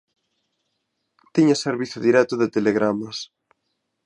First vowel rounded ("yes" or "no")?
no